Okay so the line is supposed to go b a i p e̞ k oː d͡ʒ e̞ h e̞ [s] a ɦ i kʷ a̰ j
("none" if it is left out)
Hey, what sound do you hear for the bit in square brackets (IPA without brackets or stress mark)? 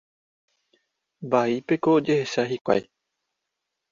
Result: ʃ